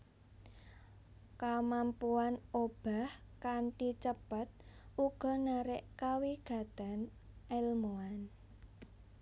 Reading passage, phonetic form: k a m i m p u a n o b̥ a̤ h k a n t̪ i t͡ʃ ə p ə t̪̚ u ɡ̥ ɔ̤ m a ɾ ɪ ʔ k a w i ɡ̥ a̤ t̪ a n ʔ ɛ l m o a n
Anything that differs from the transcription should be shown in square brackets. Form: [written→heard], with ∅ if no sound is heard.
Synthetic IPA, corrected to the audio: k a m [i→a] m p u a n o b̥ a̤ h k a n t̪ i t͡ʃ ə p ə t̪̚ u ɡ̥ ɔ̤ [m→n] a ɾ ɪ ʔ k a w i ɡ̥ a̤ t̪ a n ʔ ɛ l m o a n

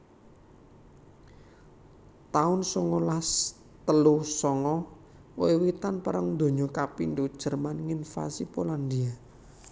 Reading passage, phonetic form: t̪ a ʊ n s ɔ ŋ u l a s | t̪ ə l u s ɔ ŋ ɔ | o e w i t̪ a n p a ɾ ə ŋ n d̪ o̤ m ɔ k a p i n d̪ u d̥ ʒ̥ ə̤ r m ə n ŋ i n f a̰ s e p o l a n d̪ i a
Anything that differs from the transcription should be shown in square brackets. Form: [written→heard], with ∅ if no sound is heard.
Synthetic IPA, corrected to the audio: t̪ a ʊ n s ɔ ŋ [u→ɔ] l a s | t̪ ə l u s ɔ ŋ ɔ | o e w i t̪ a n p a ɾ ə ŋ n d̪ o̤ [m→ɲ] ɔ k a p i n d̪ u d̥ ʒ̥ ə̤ r m [ə→a] n ŋ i n f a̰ s [e→i] p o l a n d̪ i a

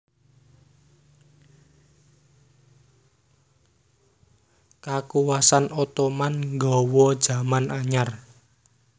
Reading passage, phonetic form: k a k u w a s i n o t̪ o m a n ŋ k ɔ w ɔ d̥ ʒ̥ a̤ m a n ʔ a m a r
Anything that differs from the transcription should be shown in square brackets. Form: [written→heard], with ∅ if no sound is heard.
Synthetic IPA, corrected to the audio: k a k u w a s [i→a] n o t̪ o m a n ŋ [k→ɡ] ɔ w ɔ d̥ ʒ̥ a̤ m a n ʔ a [m→ɲ] a r

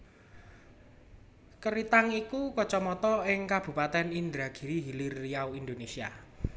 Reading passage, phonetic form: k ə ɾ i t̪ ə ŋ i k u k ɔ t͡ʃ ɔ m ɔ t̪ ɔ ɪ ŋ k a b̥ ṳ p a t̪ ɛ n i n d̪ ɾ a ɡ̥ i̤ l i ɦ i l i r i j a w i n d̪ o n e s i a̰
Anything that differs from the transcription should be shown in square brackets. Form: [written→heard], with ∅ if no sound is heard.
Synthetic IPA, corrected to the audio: k ə ɾ i t̪ [ə→a] ŋ i k u k ɔ t͡ʃ ɔ m ɔ t̪ ɔ ɪ ŋ k a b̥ ṳ p a t̪ ɛ n i n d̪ ɾ a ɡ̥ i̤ [l→ɾ] i ɦ i l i r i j a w i n d̪ o n e s i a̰

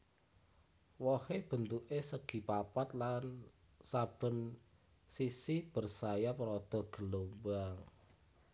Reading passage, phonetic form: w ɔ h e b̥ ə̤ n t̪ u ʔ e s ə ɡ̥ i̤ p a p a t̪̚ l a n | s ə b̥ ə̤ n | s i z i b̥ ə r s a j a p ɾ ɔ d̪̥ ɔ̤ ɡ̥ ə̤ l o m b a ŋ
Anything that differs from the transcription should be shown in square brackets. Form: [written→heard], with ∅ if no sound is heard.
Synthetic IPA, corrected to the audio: w ɔ h e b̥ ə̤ n t̪ u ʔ e s ə ɡ̥ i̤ p a p a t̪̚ l a n | s [ə→a] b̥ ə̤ n | s i [z→s] i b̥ ə r s a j a p ɾ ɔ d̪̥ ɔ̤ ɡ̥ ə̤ l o m b a ŋ

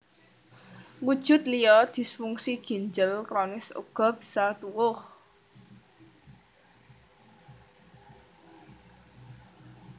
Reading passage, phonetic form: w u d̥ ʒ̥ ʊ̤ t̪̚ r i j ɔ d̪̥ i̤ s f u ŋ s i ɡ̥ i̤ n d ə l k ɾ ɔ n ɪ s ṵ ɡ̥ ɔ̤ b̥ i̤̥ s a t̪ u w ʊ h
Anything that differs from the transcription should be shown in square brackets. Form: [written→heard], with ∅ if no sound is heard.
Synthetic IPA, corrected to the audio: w u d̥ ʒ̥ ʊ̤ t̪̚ [r→l] i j ɔ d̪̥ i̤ s f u ŋ s i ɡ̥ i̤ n [d→d͡ʒ] ə l k ɾ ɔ n ɪ s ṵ ɡ̥ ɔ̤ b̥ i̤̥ s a t̪ u w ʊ h

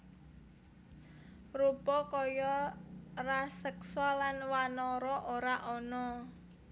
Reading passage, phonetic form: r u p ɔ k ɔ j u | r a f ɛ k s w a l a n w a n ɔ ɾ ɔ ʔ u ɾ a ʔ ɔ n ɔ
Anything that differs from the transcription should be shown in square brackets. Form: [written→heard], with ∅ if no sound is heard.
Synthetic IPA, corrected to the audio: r u p ɔ k ɔ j [u→ɔ] | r a [f→s] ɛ k s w a l a n w a n ɔ ɾ ɔ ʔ [u→o] ɾ a ʔ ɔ n ɔ

